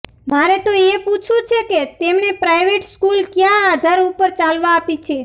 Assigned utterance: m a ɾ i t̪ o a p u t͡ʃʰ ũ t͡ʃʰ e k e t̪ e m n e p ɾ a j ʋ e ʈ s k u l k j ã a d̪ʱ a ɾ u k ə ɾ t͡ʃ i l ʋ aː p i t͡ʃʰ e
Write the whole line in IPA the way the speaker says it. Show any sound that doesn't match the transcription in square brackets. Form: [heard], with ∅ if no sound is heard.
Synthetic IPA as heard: m a ɾ [e] t̪ o [e] p u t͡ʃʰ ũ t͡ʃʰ e k e t̪ e m n e p ɾ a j ʋ e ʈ s k u l k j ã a d̪ʱ a ɾ u [p] ə ɾ t͡ʃ [a] l ʋ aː p i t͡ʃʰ e